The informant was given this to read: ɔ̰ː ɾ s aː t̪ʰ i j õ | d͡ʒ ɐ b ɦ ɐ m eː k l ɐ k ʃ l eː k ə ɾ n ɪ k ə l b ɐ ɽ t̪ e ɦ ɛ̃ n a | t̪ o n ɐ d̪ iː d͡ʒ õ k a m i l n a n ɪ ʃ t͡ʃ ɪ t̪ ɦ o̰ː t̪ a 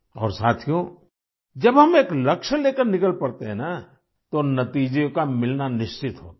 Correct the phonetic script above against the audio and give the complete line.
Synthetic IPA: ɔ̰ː ɾ s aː t̪ʰ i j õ | d͡ʒ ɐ b ɦ ɐ m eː k l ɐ k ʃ l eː k ə ɾ n ɪ k ə l p ɐ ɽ t̪ e ɦ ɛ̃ n a | t̪ o n ɐ t̪ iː d͡ʒ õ k a m ɪ l n a n ɪ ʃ t͡ʃ ɪ t̪ ɦ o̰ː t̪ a